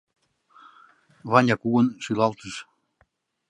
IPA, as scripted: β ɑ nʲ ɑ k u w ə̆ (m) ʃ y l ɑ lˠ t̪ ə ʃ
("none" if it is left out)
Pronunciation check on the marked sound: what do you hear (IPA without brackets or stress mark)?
n